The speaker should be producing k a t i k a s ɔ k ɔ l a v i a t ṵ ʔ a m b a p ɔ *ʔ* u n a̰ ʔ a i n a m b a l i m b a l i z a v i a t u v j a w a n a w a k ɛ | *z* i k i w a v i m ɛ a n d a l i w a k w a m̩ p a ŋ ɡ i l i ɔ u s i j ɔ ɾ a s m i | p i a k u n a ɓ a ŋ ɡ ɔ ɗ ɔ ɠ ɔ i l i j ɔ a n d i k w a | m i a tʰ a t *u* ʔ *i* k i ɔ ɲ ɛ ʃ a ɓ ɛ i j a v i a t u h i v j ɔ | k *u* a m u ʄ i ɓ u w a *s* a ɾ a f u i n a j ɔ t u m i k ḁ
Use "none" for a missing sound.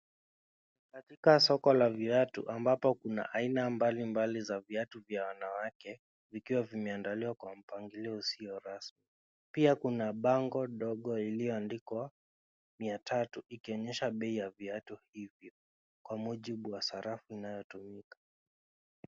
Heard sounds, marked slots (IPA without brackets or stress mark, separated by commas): k, v, u, i, w, s